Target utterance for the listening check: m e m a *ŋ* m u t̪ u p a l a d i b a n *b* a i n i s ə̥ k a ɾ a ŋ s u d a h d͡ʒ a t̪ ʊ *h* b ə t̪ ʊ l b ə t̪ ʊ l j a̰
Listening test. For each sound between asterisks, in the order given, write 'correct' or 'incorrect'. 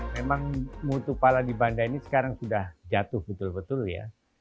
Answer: correct, incorrect: d, correct

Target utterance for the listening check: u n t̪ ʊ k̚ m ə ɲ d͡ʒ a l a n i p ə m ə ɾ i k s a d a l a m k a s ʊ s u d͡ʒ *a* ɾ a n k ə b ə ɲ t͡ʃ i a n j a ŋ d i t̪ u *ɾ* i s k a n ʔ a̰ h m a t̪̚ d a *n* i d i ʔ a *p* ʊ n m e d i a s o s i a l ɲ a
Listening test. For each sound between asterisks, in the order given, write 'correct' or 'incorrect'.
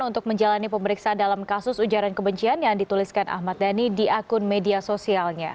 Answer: correct, incorrect: l, correct, incorrect: k

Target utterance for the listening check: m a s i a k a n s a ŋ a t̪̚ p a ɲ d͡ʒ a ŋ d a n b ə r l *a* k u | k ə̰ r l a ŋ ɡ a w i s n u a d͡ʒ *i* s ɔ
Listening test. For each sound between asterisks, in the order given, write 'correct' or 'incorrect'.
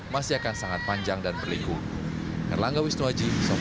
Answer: incorrect: i, correct

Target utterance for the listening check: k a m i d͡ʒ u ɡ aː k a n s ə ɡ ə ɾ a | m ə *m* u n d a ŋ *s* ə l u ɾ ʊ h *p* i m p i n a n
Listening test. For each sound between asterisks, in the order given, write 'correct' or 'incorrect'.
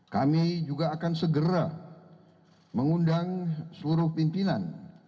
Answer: incorrect: ŋ, correct, correct

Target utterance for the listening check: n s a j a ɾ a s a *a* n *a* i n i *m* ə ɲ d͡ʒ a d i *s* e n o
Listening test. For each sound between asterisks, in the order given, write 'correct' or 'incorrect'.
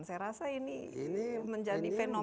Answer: incorrect: i, incorrect: i, correct, incorrect: f

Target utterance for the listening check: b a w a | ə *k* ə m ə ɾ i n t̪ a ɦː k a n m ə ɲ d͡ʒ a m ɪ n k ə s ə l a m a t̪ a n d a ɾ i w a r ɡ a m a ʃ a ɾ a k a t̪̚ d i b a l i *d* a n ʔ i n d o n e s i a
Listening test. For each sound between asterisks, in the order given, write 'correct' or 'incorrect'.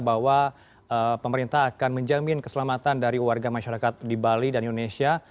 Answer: incorrect: p, correct

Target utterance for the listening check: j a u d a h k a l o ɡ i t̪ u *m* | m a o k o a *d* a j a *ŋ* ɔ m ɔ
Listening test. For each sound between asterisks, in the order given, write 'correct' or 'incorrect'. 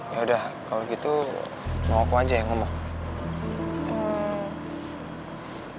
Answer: incorrect: none, incorrect: d͡ʒ, correct

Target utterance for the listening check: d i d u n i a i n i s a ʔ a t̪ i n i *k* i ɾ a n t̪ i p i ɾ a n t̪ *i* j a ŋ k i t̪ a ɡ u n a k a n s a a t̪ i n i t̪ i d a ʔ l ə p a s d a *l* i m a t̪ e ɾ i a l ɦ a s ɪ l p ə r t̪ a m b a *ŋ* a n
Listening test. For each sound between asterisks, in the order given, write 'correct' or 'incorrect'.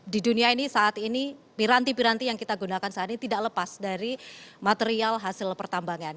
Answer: incorrect: p, correct, incorrect: ɾ, correct

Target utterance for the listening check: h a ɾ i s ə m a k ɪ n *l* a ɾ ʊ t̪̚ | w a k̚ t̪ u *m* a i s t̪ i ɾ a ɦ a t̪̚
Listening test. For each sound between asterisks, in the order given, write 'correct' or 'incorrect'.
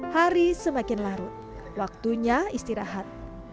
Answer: correct, incorrect: ɲ

